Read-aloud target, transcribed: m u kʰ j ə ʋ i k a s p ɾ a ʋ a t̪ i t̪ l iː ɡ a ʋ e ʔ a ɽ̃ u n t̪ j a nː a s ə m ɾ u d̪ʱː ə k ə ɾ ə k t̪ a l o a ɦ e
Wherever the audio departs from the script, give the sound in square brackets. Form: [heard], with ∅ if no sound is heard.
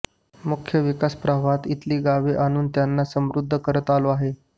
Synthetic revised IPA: m u kʰ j ə ʋ i k a s p ɾ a ʋ a t̪ i t̪ l iː ɡ a ʋ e ʔ a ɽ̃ [uː] n t̪ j a nː a s ə m ɾ u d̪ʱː ə k ə ɾ ə [∅] t̪ a l o a ɦ e